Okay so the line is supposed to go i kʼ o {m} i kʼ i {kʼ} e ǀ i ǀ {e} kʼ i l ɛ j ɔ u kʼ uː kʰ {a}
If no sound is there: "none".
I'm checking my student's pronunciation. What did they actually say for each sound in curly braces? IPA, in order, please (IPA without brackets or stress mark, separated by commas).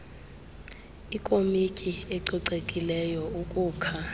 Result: m, none, e, a